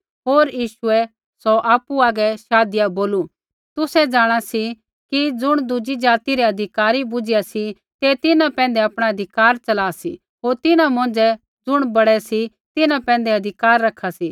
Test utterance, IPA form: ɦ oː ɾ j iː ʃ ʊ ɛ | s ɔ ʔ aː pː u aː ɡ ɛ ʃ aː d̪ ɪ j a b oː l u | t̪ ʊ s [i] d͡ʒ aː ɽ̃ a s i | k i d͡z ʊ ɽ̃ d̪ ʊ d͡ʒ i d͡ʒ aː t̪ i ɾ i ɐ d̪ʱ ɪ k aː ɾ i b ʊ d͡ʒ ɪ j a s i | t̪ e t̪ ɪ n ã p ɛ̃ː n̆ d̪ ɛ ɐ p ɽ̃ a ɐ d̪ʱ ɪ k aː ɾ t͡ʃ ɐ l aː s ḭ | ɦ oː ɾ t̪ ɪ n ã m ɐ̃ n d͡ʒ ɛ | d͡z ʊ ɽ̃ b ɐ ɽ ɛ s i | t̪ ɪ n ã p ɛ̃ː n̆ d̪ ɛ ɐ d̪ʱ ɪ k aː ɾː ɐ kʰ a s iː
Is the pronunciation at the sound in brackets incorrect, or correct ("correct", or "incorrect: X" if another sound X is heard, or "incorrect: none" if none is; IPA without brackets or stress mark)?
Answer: incorrect: ɛ